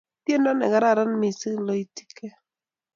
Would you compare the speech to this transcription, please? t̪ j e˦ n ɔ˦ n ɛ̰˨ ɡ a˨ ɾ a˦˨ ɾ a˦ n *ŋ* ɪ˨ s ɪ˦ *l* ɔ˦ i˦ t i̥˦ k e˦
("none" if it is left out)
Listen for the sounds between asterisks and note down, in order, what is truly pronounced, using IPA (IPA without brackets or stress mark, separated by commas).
m, l